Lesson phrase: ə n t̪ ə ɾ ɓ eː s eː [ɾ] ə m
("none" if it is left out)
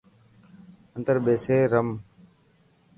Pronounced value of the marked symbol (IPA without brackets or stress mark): ɾ